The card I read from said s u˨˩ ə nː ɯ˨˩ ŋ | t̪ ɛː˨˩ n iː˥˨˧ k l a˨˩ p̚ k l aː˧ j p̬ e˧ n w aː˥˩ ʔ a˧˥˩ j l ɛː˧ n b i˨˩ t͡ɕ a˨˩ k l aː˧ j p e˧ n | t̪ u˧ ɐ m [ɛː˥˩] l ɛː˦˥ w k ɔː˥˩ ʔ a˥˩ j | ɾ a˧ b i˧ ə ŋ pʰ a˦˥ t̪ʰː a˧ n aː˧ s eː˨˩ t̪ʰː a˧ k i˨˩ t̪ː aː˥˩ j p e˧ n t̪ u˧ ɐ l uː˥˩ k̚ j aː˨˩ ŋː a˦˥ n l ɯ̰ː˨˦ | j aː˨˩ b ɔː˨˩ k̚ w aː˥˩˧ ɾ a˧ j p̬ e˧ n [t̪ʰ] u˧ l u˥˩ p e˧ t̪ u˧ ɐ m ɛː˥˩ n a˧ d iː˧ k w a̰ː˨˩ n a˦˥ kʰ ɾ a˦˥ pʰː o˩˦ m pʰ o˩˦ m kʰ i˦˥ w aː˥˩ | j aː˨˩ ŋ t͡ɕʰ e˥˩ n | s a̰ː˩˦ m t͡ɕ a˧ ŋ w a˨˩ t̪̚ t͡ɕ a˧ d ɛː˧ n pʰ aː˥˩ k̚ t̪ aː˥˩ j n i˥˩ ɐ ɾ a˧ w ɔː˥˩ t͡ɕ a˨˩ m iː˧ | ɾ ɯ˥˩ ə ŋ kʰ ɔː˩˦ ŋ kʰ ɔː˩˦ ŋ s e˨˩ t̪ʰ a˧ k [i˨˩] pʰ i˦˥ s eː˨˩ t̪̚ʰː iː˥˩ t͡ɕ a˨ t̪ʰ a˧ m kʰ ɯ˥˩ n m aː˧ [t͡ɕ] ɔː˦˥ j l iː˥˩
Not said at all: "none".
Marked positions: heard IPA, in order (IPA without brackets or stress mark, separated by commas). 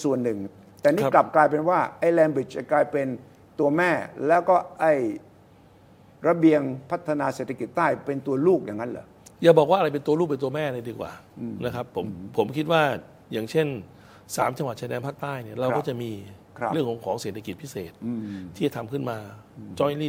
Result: ɛː˥˩, t̪, i˨˩, t͡ɕ